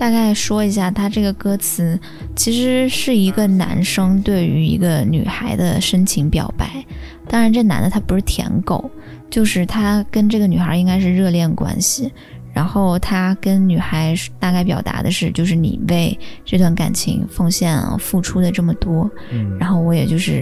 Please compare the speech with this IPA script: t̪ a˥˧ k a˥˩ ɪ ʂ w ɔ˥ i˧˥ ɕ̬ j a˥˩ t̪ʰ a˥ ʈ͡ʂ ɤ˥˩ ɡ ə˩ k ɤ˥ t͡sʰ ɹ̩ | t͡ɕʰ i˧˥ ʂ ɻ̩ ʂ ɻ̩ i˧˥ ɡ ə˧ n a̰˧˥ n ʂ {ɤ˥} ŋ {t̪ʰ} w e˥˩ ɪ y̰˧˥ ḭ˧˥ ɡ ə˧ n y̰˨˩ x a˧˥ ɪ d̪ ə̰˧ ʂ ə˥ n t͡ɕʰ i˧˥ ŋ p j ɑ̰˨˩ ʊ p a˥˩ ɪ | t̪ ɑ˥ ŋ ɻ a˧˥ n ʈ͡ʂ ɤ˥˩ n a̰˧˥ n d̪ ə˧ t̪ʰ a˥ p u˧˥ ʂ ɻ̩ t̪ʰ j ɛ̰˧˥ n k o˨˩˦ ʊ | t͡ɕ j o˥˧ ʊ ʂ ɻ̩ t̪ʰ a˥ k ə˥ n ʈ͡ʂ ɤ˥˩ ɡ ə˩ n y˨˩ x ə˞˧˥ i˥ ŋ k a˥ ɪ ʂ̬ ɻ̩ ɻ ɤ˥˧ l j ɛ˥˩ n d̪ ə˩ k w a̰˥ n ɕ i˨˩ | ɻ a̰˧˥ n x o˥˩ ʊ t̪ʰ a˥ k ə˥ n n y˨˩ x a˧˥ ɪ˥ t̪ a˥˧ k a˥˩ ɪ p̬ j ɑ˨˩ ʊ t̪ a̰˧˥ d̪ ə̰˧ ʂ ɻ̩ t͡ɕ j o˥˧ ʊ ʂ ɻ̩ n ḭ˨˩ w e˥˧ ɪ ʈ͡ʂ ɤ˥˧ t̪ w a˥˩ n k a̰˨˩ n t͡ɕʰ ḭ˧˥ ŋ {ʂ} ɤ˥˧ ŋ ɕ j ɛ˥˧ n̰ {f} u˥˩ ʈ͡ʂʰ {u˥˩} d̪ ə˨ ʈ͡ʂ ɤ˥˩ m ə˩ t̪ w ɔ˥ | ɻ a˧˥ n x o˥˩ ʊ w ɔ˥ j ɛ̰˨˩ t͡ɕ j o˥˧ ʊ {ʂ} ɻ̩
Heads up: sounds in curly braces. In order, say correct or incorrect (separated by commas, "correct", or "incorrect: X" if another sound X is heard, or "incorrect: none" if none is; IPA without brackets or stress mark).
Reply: correct, incorrect: t̪, incorrect: f, correct, incorrect: u˥, correct